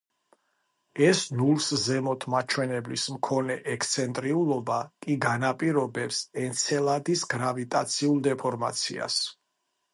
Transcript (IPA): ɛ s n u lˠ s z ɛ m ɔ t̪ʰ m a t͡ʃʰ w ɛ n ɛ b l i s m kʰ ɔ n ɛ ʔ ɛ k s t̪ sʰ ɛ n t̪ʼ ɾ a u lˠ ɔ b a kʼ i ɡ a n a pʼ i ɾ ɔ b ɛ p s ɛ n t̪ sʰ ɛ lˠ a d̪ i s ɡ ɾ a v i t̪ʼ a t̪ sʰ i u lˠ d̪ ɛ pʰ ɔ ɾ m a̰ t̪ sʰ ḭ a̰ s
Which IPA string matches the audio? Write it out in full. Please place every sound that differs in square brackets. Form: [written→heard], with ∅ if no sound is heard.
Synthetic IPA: ɛ s n u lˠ s z ɛ m ɔ t̪ʰ m a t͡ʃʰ w ɛ n ɛ b l i s m kʰ ɔ n ɛ ʔ ɛ k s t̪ sʰ ɛ n t̪ʼ ɾ [a→i] u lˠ ɔ b a kʼ i ɡ a n a pʼ i ɾ ɔ b ɛ p s ɛ n t̪ sʰ ɛ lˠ a d̪ i s ɡ ɾ a v i t̪ʼ a t̪ sʰ i u lˠ d̪ ɛ pʰ ɔ ɾ m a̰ t̪ sʰ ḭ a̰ s